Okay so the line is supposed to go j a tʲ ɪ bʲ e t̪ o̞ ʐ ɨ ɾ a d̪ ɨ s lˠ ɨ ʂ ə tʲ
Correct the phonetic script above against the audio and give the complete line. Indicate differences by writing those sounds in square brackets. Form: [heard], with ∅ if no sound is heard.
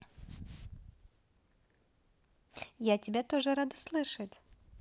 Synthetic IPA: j a tʲ ɪ bʲ [a] t̪ o̞ ʐ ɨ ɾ a d̪ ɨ s lˠ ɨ ʂ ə tʲ